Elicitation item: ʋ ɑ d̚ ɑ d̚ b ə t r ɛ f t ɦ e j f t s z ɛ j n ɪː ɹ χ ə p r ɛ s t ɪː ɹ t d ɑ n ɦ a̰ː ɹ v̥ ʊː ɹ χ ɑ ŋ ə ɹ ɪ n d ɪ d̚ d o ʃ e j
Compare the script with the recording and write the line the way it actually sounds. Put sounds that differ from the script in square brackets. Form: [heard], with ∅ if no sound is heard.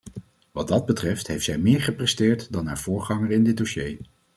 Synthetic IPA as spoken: ʋ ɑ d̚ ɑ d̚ b ə t r ɛ f t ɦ e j f t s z ɛ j [m] ɪː ɹ χ ə p r ɛ s t ɪː ɹ t d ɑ n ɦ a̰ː ɹ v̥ ʊː ɹ χ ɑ ŋ ə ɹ ɪ n d ɪ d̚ d o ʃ e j